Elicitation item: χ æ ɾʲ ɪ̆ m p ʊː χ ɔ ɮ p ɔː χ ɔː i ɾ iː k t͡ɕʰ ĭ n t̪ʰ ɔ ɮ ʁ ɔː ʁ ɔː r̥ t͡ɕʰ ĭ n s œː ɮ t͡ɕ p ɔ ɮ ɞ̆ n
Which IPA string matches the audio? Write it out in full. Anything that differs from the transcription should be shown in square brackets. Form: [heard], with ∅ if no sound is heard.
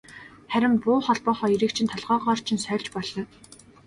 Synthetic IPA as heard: χ æ ɾʲ ɪ̆ m p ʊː χ ɔ ɮ p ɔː χ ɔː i ɾ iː k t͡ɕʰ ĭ n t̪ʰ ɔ ɮ ʁ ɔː ʁ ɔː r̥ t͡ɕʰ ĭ n s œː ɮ t͡ɕ p ɔ ɮ ɞ̆ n